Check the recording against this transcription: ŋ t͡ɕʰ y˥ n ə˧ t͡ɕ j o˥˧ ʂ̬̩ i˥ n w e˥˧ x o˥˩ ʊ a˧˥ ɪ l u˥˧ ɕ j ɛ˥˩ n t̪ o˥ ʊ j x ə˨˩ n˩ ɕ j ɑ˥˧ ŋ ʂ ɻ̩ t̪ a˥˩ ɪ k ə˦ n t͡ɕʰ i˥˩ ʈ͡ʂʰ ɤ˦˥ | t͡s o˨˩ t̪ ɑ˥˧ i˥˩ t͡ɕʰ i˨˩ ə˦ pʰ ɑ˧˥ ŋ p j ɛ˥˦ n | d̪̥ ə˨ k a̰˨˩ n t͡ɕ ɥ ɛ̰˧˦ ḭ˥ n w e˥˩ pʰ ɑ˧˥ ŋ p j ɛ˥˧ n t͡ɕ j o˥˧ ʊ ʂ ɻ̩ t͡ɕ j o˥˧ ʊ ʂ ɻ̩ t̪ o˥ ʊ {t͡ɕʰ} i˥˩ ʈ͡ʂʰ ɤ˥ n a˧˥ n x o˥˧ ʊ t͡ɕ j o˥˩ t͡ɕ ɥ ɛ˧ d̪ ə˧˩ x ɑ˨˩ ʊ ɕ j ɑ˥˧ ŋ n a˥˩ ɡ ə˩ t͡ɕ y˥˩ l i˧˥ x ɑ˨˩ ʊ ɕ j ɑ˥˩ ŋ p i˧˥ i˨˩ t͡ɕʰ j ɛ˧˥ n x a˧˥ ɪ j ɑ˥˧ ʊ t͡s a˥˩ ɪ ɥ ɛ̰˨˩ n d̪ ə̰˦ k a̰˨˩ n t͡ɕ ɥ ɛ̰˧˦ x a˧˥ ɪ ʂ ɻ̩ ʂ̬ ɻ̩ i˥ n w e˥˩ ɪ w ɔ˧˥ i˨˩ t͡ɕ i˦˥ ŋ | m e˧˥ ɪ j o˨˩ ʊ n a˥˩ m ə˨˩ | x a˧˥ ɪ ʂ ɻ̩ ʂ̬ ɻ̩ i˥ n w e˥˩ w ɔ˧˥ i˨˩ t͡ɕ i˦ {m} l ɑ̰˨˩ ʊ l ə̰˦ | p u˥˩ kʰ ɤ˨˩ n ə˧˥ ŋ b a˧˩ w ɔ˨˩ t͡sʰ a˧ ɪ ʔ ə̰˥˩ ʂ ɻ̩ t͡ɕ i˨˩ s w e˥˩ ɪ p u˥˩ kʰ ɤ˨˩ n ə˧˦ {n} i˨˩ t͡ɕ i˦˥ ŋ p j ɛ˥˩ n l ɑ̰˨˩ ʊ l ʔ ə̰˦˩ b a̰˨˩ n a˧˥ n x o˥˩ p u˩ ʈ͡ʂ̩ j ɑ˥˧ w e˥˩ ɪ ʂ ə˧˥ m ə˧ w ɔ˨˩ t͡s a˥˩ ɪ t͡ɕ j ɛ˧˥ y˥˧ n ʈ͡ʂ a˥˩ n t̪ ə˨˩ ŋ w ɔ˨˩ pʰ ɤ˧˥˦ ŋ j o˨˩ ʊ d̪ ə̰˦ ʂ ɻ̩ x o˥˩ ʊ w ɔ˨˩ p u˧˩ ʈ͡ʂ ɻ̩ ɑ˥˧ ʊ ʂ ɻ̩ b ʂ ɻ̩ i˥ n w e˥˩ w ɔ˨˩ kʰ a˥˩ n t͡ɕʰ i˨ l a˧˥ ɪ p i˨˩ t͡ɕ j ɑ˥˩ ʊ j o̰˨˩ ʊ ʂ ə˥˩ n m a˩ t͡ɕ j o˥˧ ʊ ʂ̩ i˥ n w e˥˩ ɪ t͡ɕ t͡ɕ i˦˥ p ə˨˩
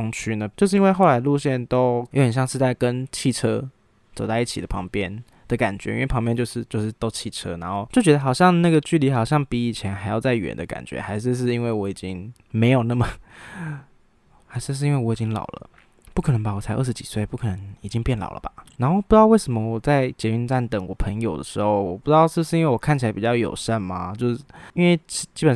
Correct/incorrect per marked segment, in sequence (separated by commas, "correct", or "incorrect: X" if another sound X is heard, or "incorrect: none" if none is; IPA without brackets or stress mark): correct, incorrect: ŋ, incorrect: ŋ